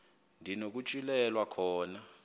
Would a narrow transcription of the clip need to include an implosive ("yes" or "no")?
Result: no